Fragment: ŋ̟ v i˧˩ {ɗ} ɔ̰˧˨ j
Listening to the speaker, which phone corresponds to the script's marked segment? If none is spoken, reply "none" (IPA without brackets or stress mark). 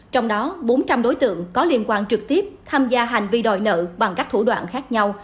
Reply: ɗ